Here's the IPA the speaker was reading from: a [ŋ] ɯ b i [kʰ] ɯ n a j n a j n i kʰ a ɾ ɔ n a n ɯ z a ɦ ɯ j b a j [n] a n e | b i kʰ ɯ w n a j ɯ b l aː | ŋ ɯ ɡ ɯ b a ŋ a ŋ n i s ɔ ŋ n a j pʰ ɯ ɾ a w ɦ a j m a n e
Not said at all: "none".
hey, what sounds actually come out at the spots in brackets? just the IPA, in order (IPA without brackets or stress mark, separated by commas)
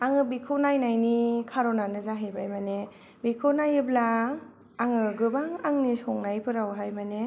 ŋ, kʰ, m